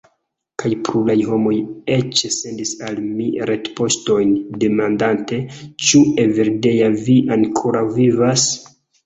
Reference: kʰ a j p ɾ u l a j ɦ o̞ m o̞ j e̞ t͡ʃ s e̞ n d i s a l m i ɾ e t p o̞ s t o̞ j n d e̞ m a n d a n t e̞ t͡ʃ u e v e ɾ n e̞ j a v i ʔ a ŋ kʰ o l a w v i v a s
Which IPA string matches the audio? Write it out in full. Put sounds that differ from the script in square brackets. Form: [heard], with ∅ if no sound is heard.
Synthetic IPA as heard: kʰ a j p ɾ u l a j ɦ o̞ m o̞ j e̞ t͡ʃ s e̞ n d i s a l m i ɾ e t p o̞ s t o̞ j n d e̞ m a n d a n t e̞ t͡ʃ u e v e ɾ [d] e̞ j a v i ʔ a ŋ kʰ o [ɾ] a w v i v a s